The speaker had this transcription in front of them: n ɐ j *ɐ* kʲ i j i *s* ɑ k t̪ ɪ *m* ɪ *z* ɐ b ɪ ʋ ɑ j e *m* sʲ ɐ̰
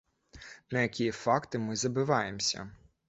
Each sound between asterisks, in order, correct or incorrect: correct, incorrect: f, correct, correct, correct

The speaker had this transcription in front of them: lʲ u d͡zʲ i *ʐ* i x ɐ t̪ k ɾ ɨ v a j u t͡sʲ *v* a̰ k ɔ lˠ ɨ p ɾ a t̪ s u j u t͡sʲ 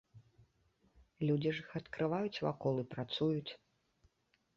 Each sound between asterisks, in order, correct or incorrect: correct, correct

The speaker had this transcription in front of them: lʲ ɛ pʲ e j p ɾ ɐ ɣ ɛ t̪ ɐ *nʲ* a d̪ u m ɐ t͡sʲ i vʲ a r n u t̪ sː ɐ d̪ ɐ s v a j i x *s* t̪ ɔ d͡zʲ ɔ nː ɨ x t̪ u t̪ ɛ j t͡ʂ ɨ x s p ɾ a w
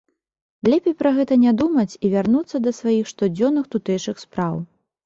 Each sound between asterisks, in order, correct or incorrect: correct, incorrect: ʂ

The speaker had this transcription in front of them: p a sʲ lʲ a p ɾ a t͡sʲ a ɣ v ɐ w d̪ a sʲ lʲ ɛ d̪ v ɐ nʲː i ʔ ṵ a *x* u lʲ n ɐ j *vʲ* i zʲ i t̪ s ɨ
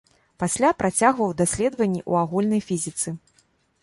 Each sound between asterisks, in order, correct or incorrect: incorrect: ɣ, incorrect: fʲ

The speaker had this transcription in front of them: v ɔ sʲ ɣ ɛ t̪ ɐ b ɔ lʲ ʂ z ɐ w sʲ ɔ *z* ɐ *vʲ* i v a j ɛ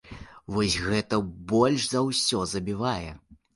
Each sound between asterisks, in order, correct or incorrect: correct, incorrect: bʲ

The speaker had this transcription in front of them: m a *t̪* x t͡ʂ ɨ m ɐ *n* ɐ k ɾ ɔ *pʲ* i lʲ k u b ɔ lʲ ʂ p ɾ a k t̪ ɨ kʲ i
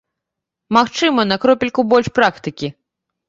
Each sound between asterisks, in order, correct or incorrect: incorrect: none, correct, correct

